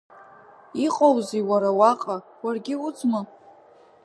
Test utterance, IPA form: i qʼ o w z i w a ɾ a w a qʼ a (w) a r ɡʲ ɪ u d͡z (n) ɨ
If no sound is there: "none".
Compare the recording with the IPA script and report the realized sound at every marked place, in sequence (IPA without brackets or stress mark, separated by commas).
w, m